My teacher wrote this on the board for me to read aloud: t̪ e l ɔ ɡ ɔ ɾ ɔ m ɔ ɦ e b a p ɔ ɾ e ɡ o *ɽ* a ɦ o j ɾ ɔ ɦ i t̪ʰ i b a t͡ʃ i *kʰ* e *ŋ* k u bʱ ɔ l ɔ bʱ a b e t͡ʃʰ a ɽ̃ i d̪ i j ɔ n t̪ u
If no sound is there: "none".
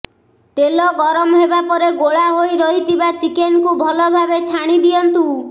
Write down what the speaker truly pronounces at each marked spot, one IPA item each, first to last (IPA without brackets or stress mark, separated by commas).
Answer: ɭ, k, n